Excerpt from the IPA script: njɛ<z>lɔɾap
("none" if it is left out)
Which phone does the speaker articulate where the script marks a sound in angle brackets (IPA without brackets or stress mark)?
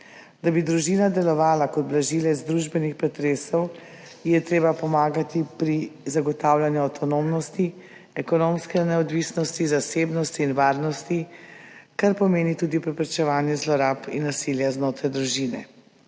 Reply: z